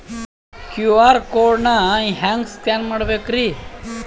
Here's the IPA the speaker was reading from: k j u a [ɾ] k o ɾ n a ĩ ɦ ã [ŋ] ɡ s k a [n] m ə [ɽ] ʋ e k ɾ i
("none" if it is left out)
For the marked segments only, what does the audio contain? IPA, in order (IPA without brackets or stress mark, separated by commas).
ɾ, ŋ, n, ɽ